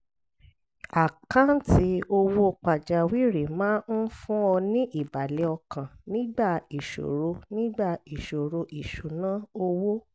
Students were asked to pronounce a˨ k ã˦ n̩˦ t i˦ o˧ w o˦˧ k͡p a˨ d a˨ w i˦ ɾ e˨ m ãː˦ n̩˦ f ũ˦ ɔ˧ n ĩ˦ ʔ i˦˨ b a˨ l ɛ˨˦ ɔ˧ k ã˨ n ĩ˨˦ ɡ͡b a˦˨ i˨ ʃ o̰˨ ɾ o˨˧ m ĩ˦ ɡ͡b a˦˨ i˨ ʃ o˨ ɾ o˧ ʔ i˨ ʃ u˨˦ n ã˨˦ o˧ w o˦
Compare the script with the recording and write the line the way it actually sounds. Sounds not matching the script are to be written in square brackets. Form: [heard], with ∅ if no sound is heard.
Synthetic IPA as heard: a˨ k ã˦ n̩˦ t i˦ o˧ w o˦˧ k͡p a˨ [d͡ʒ] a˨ w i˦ ɾ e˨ m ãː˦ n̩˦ f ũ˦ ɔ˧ n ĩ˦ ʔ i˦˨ b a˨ l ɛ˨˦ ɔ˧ k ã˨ n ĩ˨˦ ɡ͡b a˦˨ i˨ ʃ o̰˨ ɾ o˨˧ [n] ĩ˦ ɡ͡b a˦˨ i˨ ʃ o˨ ɾ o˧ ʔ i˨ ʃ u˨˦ n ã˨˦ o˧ w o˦